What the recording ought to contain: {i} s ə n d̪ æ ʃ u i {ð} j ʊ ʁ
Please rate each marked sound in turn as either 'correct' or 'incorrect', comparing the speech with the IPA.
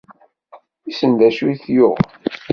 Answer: correct, incorrect

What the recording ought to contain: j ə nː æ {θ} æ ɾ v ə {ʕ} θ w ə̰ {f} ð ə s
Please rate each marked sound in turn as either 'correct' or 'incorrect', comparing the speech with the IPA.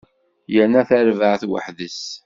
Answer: correct, correct, incorrect

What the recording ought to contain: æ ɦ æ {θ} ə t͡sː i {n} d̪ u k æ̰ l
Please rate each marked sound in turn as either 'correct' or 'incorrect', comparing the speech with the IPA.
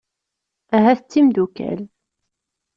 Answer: correct, incorrect

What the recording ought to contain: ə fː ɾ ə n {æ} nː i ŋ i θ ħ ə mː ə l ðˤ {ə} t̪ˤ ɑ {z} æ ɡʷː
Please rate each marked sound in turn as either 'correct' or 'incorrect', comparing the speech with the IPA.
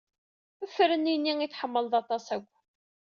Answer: incorrect, incorrect, incorrect

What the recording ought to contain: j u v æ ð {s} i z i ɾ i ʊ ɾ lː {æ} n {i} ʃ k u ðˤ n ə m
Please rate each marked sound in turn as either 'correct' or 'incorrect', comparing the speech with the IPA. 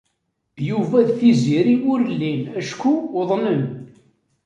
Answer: incorrect, incorrect, incorrect

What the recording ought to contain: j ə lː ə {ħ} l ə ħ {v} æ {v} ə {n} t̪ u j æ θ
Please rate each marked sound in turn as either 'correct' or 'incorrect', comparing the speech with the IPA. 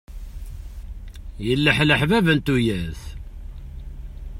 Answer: correct, correct, correct, correct

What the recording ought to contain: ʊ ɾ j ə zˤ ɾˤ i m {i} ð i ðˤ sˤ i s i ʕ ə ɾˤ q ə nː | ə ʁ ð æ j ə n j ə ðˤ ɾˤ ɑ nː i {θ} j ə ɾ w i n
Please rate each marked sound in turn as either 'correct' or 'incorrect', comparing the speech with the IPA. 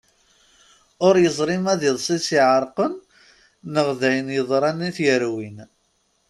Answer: incorrect, correct

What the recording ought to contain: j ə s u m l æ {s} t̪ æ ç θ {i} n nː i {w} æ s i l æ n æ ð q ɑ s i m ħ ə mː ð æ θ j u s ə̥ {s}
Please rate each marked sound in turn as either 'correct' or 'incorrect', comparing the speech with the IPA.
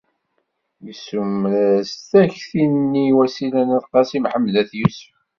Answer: correct, correct, correct, incorrect

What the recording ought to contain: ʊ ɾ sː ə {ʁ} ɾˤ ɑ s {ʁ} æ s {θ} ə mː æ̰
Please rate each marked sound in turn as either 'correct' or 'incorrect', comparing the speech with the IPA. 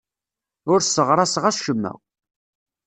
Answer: correct, correct, incorrect

